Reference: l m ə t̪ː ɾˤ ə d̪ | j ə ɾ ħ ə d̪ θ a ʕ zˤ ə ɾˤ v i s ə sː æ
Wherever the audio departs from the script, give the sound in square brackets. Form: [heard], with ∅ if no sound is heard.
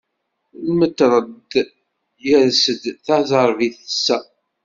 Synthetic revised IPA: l m ə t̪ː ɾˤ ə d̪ | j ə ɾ [s] ə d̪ θ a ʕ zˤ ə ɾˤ v i [θ] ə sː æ